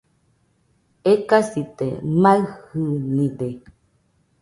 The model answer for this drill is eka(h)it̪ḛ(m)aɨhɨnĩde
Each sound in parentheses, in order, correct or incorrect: incorrect, correct

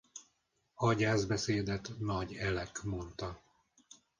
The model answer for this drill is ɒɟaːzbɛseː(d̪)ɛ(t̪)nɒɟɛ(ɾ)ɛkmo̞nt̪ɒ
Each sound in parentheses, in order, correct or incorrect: correct, correct, incorrect

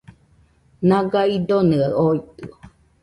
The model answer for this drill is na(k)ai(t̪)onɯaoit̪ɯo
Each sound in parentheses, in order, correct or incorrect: incorrect, incorrect

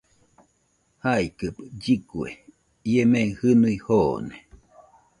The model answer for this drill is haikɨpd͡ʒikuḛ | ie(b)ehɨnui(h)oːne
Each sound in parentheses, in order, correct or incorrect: incorrect, correct

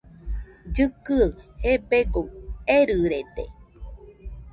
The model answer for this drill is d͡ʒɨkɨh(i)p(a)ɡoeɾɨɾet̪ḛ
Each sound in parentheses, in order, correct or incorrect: incorrect, incorrect

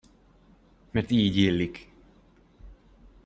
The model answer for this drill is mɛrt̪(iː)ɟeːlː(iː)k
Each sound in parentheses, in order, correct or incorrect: correct, incorrect

